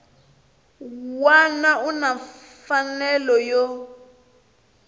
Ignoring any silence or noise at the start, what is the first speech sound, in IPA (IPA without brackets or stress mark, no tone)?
w